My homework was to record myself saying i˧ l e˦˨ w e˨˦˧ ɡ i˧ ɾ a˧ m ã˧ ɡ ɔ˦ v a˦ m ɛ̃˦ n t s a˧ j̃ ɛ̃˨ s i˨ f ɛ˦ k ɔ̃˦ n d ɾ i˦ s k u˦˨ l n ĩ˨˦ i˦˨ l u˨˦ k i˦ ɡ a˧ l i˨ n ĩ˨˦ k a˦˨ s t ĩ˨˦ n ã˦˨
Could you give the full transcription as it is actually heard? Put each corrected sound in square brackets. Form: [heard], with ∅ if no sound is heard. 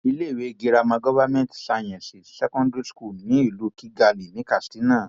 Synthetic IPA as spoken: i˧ l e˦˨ w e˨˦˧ ɡ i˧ ɾ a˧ m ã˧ ɡ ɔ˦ v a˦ m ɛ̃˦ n t s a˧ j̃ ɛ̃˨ s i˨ [s] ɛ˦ k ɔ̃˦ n d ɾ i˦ s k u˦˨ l n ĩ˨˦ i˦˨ l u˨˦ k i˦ ɡ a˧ l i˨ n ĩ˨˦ k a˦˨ s t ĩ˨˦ n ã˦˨